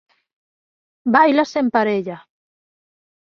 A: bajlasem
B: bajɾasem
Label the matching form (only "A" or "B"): A